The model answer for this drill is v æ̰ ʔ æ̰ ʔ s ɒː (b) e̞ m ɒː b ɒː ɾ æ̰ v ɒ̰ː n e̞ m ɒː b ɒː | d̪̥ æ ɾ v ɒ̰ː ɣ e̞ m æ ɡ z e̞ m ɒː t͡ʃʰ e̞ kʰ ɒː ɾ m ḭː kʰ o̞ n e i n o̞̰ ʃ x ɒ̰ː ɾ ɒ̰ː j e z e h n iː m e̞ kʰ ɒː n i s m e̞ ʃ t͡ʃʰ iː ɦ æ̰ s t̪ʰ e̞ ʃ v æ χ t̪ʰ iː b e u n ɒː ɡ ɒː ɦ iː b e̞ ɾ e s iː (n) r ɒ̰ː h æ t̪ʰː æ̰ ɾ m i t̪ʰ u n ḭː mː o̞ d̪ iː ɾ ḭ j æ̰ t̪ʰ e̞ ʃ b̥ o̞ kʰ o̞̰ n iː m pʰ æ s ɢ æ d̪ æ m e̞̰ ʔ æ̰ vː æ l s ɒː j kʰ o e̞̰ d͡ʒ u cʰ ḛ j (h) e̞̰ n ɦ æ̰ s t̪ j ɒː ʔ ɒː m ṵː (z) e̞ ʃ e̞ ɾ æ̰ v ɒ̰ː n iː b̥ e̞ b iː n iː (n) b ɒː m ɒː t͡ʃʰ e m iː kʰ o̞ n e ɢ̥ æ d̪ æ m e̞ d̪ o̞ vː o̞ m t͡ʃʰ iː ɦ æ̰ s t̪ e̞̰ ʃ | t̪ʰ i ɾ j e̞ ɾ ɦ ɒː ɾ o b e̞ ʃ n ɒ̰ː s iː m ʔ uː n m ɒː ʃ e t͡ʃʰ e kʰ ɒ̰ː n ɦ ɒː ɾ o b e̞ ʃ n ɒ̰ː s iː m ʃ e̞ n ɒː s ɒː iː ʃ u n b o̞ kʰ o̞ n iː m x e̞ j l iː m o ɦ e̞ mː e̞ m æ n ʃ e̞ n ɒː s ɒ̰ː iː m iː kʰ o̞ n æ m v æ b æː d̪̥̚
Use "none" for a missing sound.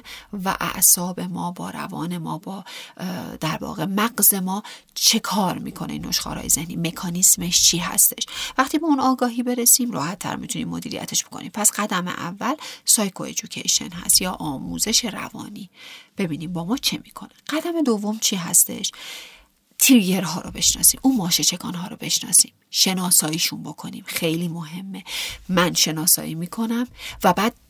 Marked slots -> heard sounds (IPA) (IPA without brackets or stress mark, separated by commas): b, m, ʃ, z, m